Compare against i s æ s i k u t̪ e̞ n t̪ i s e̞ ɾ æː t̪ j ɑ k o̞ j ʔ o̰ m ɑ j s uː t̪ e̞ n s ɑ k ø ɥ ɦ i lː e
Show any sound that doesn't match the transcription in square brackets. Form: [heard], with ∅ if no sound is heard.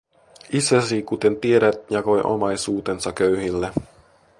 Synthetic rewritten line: i s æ s i k u t̪ e̞ n t̪ i [∅] e̞ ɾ [æ] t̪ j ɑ k o̞ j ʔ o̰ m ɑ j s uː t̪ e̞ n s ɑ k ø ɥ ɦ i lː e

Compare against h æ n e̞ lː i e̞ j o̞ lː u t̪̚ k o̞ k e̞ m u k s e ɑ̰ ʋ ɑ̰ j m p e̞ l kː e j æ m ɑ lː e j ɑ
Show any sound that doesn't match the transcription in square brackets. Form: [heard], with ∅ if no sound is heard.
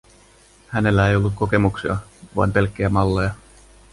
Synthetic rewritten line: h æ n e̞ lː [æ] e̞ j o̞ lː u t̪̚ k o̞ k e̞ m u k s [i] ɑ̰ ʋ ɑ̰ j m p e̞ l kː e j æ m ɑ lː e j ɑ

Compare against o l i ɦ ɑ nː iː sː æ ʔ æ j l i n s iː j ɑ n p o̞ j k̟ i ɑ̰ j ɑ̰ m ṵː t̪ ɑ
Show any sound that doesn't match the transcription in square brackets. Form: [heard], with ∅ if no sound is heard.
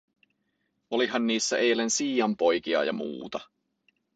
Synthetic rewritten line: o l i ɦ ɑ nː iː sː æ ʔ [e] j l [e] n s iː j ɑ [m] p o̞ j k̟ i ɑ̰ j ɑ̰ m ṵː t̪ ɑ

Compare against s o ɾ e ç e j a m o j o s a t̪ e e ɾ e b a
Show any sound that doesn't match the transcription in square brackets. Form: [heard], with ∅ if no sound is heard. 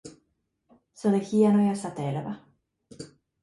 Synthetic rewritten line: s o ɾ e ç [i] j a [n] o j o s a t̪ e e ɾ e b a

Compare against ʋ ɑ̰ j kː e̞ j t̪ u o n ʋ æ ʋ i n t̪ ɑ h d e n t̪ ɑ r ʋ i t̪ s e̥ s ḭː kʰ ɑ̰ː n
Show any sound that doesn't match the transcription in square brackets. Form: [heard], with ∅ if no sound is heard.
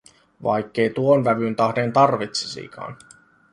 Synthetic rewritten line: ʋ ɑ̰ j kː e̞ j t̪ u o n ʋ æ ʋ [y] n t̪ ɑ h d e n t̪ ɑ r ʋ i t̪ s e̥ s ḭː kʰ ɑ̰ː n

